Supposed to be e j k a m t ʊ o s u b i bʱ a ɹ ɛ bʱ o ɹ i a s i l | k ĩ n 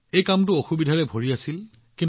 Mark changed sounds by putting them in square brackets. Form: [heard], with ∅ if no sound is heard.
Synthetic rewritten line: e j k a m t ʊ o [x] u b i [dʱ] a ɹ ɛ bʱ o ɹ i a s i l | k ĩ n